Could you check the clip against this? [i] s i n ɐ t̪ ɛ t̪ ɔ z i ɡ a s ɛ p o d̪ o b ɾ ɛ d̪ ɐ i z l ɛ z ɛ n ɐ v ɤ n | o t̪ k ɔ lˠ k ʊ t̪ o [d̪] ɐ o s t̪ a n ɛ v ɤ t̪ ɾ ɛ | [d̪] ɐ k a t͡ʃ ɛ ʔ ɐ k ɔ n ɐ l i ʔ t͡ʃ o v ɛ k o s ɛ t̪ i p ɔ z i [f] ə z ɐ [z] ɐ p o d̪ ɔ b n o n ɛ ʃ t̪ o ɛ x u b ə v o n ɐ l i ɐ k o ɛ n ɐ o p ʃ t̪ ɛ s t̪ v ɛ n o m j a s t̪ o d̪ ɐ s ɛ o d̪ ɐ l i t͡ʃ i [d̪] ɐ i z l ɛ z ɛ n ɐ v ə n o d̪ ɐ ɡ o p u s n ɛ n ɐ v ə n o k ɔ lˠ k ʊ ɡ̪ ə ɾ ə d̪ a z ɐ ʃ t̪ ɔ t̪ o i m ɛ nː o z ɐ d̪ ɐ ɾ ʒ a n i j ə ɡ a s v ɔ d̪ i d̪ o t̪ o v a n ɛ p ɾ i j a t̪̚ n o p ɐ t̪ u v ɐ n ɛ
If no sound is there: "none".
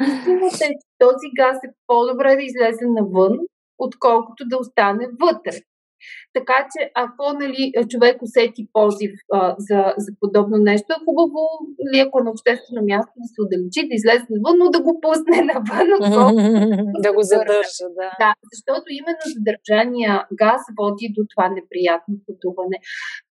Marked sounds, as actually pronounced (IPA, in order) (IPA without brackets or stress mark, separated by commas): i, d̪, t̪, f, z, d̪